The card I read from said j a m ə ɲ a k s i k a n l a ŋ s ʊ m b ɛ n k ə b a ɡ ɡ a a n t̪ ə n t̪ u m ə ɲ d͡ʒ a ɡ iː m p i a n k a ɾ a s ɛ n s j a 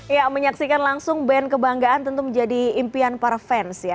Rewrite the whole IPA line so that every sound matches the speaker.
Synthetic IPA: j a m ə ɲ a k s i k a n l a ŋ s ʊ ŋ b ɛ n k ə b a ŋ ɡ a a n t̪ ə n t̪ u m ə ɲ d͡ʒ a d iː m p i a n p a ɾ a f ɛ n s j a